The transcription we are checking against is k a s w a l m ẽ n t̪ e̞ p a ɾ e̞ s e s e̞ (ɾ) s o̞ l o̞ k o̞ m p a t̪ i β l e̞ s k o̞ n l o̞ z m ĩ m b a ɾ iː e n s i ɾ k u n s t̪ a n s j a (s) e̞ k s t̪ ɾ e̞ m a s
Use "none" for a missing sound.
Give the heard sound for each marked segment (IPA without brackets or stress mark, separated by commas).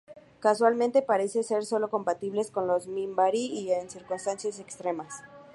ɾ, s